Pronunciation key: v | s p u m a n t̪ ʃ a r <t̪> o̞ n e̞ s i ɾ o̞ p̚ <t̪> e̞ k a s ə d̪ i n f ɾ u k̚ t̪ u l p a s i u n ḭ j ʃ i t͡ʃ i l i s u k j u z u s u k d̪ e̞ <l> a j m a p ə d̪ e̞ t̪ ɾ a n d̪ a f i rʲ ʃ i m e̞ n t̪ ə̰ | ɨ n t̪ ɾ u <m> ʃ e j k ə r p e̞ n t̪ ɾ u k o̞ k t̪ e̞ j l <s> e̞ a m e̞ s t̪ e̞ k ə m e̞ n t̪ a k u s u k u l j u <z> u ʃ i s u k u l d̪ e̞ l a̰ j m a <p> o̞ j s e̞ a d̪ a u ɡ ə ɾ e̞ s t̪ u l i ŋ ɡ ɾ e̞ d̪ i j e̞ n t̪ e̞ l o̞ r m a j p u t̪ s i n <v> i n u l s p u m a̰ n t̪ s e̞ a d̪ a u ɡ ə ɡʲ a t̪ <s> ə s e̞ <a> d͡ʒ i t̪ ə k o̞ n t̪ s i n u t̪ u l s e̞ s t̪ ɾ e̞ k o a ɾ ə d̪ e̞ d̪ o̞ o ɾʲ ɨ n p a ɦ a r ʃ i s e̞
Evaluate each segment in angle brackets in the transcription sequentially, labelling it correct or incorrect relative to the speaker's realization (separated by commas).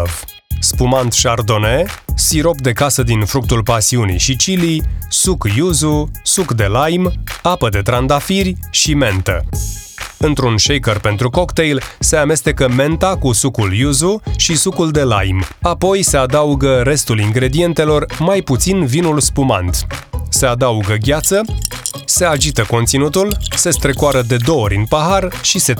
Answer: incorrect, incorrect, correct, incorrect, correct, correct, correct, correct, correct, correct